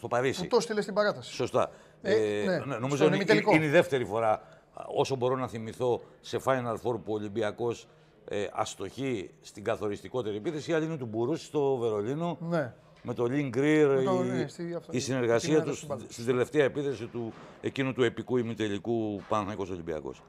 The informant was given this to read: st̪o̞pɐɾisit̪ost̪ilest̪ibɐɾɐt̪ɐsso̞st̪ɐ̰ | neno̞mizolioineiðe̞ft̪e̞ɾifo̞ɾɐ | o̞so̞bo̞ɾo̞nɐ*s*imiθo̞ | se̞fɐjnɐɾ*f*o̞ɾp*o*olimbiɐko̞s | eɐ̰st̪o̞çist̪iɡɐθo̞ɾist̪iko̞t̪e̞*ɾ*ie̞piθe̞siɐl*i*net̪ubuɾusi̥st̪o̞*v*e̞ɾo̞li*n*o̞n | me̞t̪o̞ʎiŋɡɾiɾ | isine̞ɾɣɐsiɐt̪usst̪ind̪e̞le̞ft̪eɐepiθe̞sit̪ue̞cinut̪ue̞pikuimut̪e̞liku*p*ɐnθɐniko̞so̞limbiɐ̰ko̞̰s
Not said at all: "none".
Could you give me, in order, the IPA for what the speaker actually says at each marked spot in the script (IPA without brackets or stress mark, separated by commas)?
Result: θ, f, u, ɾ, i, v, n, p